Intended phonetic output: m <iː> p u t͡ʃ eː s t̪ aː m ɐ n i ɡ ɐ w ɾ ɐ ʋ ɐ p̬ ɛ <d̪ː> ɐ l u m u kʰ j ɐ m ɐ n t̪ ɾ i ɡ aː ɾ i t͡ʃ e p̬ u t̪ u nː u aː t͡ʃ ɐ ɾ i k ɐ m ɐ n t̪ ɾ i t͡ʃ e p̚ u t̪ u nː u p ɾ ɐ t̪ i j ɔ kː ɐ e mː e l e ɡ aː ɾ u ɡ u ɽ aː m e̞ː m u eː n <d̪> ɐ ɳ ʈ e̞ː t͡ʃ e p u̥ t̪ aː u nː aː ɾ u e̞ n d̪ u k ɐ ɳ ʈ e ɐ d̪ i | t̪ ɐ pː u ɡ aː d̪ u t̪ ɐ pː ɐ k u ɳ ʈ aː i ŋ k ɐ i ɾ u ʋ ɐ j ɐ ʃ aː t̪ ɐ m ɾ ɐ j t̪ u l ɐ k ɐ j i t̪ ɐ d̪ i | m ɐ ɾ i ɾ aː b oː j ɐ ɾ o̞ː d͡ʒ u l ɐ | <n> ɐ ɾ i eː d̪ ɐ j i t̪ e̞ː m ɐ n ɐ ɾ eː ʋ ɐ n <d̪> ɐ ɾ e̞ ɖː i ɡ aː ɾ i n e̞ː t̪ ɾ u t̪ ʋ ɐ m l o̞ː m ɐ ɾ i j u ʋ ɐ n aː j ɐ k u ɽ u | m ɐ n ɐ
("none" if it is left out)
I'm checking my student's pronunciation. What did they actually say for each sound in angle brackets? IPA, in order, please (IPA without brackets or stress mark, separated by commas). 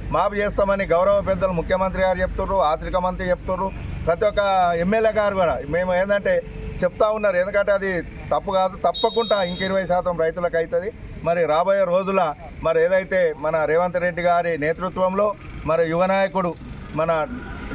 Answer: aː, d̪ː, d̪, m, t̪